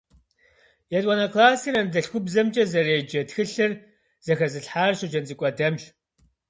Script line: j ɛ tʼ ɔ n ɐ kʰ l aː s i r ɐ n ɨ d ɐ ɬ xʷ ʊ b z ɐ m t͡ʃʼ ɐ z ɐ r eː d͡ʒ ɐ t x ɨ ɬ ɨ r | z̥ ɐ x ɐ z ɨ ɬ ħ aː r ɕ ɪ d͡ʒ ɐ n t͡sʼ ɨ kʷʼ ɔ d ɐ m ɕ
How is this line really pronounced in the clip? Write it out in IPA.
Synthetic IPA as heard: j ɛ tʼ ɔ n ɐ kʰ l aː s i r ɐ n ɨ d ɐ ɬ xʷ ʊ b z ɐ m t͡ʃʼ ɐ z ɐ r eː d͡ʒ ɐ t x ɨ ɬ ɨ r | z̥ ɐ x ɐ z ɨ ɬ ħ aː r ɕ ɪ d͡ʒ ɐ n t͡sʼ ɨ kʷʼ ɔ d ɐ m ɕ